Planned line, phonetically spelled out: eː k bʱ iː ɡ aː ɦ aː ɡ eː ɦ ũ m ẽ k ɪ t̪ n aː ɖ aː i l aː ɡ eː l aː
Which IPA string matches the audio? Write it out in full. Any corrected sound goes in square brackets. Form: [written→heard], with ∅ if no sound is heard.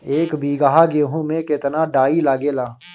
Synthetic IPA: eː k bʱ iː ɡ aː ɦ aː ɡ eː ɦ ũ m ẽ k ɪ t̪ n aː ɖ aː i l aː ɡ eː l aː